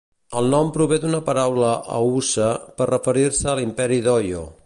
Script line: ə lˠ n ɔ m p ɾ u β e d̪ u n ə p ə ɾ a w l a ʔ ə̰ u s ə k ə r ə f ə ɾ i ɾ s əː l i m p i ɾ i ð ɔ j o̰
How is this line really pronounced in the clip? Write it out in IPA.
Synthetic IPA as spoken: ə lˠ n ɔ m p ɾ u β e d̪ u n ə p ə ɾ a w l ə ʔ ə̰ u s ə p ə r ə f ə ɾ i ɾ s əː l i m p ɛ ɾ i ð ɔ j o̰